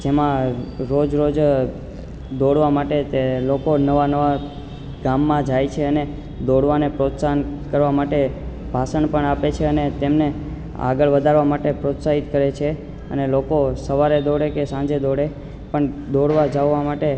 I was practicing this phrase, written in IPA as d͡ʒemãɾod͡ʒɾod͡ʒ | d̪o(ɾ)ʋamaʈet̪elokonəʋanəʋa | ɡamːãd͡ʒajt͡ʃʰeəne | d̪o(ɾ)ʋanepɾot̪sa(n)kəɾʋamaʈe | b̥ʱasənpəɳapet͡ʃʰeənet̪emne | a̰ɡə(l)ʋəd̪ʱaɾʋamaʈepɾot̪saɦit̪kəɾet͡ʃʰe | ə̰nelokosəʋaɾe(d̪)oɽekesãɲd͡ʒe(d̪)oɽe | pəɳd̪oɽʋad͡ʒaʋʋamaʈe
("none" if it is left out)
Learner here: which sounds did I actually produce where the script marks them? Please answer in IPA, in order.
ɽ, ɽ, n, ɭ, d̪, d̪

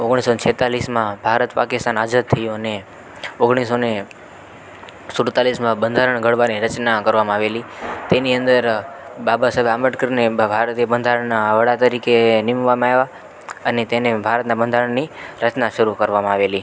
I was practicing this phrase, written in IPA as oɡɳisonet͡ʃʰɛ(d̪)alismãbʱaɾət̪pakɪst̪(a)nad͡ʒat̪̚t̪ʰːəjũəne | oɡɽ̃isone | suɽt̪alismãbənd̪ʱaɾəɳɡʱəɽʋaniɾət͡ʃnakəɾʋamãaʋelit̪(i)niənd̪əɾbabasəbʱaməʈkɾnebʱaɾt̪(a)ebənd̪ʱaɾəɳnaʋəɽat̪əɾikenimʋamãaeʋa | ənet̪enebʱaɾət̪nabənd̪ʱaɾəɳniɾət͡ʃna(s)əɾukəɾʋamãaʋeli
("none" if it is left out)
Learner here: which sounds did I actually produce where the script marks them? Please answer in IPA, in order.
t̪, a, e, i, ʃ

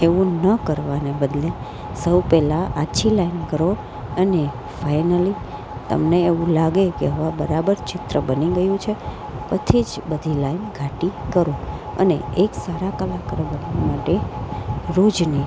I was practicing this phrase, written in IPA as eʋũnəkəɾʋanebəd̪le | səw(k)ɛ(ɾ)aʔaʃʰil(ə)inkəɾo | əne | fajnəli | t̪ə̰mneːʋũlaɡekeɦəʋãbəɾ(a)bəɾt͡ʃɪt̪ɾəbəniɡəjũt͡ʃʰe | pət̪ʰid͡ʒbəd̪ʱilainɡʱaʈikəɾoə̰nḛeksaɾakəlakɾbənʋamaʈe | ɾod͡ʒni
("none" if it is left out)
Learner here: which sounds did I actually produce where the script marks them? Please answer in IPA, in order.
p, l, a, a

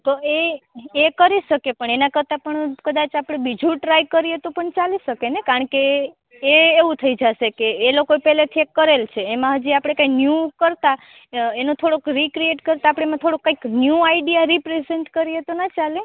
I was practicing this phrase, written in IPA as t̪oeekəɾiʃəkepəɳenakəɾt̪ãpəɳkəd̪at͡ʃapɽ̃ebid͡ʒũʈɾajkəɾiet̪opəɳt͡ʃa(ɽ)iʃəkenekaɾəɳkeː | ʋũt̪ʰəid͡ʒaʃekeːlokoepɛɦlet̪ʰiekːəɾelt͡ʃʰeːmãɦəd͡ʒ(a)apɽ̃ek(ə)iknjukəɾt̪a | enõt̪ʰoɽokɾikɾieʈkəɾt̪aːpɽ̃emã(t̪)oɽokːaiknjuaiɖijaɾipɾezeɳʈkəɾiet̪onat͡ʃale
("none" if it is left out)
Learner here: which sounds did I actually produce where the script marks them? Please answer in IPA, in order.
l, i, a, t̪ʰ

